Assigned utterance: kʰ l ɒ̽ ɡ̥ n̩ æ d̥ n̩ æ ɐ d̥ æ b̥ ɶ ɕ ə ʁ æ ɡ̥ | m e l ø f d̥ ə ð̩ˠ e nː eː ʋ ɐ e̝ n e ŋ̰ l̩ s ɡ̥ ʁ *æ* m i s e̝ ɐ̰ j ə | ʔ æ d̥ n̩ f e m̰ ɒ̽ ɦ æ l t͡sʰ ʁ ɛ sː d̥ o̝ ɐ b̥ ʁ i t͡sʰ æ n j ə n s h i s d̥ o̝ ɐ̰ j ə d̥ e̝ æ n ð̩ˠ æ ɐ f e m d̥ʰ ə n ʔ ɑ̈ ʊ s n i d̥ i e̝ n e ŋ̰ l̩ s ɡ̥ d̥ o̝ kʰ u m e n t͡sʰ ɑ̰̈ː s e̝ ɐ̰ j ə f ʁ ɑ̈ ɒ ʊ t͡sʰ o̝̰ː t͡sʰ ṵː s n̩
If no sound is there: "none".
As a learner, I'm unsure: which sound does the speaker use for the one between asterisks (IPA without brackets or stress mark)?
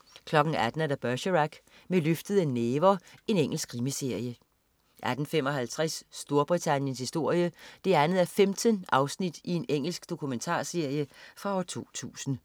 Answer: i